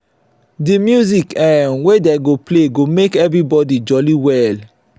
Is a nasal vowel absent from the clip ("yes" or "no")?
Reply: yes